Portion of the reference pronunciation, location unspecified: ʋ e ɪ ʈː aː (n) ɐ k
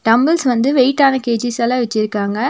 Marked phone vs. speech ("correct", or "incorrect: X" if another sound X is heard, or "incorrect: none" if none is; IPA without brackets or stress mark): correct